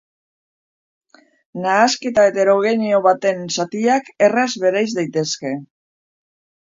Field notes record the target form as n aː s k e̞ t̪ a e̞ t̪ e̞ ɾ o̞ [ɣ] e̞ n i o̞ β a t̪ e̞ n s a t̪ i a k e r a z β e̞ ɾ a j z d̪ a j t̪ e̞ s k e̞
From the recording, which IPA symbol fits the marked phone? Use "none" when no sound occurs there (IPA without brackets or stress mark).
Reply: ɣ